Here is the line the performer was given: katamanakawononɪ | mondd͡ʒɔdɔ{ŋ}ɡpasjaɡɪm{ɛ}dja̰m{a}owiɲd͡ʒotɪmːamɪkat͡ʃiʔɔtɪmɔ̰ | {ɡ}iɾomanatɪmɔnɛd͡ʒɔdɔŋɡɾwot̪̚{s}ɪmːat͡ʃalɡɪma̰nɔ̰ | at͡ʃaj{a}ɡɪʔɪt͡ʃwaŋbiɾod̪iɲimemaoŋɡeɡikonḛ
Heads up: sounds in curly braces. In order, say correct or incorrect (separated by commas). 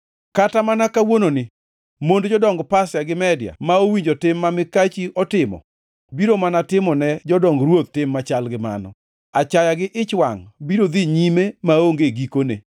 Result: correct, correct, correct, incorrect, incorrect, correct